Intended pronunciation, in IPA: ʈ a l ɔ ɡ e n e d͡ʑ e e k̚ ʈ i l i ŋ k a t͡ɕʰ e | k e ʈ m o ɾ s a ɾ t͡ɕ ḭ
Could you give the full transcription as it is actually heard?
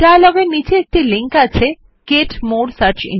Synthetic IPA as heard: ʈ a l ɔ ɡ e n i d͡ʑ e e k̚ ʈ i l i ŋ k a t͡ɕʰ e | k e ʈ m o ɾ s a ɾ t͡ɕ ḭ